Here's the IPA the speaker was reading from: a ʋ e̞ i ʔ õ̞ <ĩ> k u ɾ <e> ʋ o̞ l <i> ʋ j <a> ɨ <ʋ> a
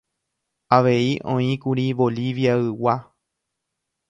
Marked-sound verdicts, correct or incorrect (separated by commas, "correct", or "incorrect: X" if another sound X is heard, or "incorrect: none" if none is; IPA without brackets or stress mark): correct, incorrect: i, correct, correct, incorrect: w